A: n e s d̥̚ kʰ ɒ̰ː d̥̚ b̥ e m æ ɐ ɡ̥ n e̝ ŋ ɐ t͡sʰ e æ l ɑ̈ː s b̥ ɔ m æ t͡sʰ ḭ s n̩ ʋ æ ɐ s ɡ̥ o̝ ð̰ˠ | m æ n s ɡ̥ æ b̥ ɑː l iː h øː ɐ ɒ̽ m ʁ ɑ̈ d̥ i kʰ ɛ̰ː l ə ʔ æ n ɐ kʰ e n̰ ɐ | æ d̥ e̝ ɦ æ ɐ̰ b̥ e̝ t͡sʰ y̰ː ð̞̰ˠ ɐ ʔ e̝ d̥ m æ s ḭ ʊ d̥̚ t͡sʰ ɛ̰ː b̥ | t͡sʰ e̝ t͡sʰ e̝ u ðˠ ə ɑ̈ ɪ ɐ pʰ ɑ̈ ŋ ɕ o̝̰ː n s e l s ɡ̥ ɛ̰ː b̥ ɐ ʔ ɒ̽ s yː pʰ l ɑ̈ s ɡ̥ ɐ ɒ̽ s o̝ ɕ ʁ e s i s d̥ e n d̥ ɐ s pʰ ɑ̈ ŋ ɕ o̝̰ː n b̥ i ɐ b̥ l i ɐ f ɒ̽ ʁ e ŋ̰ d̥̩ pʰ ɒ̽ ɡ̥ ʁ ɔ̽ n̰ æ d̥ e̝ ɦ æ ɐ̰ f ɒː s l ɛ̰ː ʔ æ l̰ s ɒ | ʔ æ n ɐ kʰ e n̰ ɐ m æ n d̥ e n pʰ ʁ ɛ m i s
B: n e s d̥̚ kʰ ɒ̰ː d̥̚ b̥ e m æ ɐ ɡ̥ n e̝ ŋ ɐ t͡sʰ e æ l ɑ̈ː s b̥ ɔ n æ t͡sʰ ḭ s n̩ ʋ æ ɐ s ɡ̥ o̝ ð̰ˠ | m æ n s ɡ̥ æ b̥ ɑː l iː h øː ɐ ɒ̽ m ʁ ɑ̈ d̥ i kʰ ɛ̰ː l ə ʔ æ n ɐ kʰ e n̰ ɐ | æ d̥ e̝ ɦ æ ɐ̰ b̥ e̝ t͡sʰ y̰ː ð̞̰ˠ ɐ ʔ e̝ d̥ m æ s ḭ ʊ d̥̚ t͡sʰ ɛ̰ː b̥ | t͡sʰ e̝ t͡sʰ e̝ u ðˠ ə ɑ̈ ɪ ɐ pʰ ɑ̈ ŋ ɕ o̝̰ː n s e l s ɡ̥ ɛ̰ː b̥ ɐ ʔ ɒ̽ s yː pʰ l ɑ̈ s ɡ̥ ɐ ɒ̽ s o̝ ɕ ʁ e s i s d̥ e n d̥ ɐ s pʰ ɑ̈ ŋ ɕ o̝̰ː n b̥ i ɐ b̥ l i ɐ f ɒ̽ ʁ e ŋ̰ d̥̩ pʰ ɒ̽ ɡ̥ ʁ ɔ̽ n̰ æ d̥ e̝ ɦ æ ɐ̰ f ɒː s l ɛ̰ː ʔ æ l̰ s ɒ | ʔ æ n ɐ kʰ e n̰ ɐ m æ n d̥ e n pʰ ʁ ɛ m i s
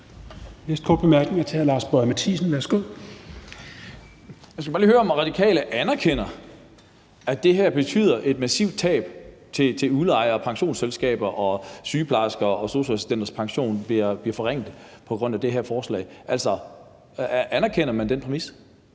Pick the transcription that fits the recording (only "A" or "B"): A